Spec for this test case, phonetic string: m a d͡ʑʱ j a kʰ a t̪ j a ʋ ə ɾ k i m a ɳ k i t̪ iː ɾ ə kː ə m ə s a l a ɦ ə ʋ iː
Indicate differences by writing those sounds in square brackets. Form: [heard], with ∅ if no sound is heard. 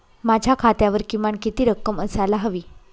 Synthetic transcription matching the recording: m a d͡ʑʱ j a kʰ a t̪ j a ʋ ə ɾ k i m a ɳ k i t̪ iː ɾ ə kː ə m ə s a l a ɦ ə ʋ iː